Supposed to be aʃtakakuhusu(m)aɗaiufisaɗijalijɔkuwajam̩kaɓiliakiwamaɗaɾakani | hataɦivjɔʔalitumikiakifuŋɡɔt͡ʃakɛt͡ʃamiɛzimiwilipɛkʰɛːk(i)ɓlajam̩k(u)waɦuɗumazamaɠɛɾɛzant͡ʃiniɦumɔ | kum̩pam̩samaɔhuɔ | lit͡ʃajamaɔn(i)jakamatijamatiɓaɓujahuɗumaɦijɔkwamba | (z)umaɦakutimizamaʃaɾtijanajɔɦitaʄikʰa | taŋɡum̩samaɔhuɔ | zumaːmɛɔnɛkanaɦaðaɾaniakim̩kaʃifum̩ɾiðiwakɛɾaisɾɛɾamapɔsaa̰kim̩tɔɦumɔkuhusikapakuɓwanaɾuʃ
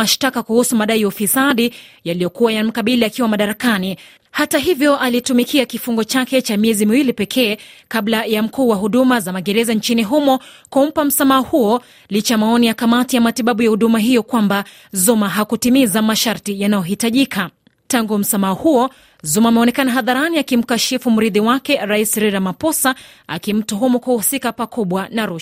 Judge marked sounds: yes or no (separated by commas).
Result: yes, no, no, yes, yes